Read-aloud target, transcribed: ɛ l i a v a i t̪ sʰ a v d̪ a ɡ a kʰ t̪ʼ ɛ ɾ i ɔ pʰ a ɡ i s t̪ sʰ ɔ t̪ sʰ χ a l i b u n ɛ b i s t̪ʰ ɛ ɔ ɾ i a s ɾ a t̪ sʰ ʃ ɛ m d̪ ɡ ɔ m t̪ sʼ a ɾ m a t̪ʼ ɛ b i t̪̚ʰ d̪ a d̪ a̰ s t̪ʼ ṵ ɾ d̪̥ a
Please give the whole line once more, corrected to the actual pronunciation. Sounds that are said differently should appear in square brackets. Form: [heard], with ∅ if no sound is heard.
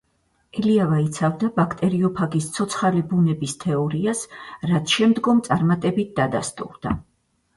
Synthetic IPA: ɛ l i a v a i t̪ sʰ a v d̪ a [b] a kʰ t̪ʼ ɛ ɾ i ɔ pʰ a ɡ i s t̪ sʰ ɔ t̪ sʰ χ a l i b u n ɛ b i s t̪ʰ ɛ ɔ ɾ i a s ɾ a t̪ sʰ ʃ ɛ m d̪ ɡ ɔ m t̪ sʼ a ɾ m a t̪ʼ ɛ b i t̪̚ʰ d̪ a d̪ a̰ s t̪ʼ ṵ ɾ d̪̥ a